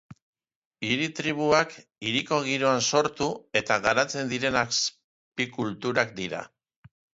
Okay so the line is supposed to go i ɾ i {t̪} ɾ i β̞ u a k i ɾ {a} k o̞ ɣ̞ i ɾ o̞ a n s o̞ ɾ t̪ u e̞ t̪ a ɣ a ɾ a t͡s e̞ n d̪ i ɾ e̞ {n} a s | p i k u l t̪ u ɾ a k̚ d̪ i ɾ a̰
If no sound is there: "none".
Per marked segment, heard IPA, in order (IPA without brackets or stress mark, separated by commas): t̪, i, n